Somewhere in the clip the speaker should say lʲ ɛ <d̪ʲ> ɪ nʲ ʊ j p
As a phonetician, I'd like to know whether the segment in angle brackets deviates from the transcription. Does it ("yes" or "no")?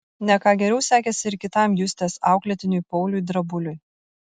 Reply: yes